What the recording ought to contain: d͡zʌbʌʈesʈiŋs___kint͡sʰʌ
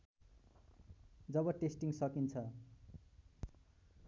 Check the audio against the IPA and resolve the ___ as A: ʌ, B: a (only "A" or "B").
A